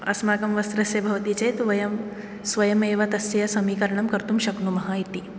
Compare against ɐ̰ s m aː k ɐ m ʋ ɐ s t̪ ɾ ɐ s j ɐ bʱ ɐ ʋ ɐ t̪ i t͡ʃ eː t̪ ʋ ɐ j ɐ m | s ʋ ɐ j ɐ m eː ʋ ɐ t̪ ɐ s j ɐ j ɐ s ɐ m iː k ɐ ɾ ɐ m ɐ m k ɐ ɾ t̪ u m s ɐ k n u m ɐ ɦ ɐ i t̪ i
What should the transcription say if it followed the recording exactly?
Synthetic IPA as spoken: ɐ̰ s m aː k ɐ m ʋ ɐ s t̪ ɾ ɐ s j ɐ bʱ ɐ ʋ ɐ t̪ i t͡ʃ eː t̪ ʋ ɐ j ɐ m | s ʋ ɐ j ɐ m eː ʋ ɐ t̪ ɐ s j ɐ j ɐ s ɐ m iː k ɐ ɾ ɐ ɳ ɐ m k ɐ ɾ t̪ u m ʃ ɐ k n u m ɐ ɦ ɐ i t̪ i